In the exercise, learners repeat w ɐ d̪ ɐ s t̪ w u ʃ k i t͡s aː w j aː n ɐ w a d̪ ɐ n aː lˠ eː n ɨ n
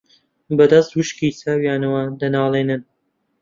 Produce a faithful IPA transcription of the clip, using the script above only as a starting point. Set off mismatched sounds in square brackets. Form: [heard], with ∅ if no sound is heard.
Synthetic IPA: [b] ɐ d̪ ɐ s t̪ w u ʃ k i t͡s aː w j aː n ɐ w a d̪ ɐ n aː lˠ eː n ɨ n